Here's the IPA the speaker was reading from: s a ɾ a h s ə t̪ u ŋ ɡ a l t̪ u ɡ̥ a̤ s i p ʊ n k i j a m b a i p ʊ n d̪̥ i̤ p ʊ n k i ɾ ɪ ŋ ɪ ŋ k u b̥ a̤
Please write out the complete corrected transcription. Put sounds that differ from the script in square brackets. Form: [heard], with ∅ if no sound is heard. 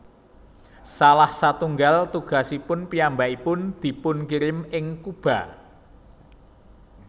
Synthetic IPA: s a [l] a h s [a] t̪ u ŋ ɡ a l t̪ u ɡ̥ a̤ s i p ʊ n [p] i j a m b a i p ʊ n d̪̥ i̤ p ʊ n k i ɾ ɪ [m] ɪ ŋ k u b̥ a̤